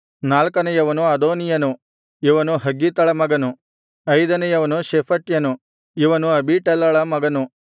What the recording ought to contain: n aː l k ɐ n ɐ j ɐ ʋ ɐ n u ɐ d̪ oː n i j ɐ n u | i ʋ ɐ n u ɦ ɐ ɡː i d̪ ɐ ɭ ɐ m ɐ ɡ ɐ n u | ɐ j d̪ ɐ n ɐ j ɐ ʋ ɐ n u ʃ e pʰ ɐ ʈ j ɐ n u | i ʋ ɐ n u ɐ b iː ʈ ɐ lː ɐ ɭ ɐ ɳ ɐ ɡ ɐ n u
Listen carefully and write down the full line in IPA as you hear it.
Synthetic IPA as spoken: n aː l k ɐ n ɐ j ɐ ʋ ɐ n u ɐ d̪ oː n i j ɐ n u | i ʋ ɐ n u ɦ ɐ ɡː i t̪ ɐ ɭ ɐ m ɐ ɡ ɐ n u | ɐ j d̪ ɐ n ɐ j ɐ ʋ ɐ n u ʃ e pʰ ɐ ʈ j ɐ n u | i ʋ ɐ n u ɐ b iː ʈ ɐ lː ɐ ɭ ɐ m ɐ ɡ ɐ n u